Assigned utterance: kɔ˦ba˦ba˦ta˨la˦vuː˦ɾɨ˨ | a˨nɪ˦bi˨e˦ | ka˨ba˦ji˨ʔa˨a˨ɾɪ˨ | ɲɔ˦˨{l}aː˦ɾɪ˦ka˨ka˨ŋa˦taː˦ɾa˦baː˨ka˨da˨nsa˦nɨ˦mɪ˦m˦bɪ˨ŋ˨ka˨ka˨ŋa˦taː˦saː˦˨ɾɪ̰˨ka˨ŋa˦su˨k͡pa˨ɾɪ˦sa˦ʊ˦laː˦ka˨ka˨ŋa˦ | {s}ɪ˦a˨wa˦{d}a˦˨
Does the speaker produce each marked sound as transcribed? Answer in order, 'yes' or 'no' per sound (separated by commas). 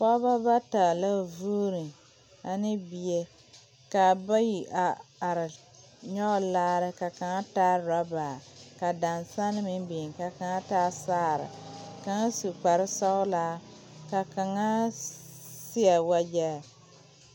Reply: yes, yes, no